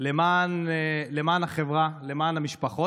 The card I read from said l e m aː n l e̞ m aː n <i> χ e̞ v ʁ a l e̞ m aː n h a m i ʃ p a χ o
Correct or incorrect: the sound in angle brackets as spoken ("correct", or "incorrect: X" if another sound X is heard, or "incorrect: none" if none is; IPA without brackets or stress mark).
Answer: incorrect: a